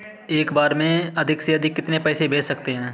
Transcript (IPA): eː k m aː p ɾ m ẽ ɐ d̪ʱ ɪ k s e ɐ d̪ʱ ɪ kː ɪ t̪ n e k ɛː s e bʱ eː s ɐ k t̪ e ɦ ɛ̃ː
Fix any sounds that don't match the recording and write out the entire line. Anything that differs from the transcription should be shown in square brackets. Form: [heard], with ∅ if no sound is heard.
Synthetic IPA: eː k [b] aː [∅] ɾ m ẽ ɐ d̪ʱ ɪ k s e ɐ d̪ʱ ɪ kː ɪ t̪ n e [p] ɛː s e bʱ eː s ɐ k t̪ e ɦ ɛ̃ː